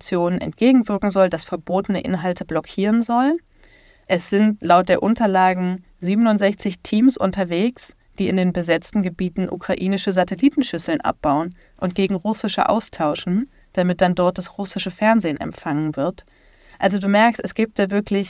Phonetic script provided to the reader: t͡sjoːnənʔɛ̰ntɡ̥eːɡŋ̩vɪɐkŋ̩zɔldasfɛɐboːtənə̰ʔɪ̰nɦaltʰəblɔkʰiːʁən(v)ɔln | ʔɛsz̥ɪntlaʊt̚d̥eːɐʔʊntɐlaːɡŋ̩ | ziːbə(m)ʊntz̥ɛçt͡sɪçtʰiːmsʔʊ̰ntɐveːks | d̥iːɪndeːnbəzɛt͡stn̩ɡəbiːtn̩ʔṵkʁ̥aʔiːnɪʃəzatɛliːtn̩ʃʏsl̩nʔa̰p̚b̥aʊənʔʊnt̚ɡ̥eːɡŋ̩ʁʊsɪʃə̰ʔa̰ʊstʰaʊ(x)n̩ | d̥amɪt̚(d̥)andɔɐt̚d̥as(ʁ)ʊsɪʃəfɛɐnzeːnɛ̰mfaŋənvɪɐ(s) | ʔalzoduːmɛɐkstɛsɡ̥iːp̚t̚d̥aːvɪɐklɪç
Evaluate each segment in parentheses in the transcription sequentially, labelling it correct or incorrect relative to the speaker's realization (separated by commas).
incorrect, incorrect, incorrect, correct, correct, incorrect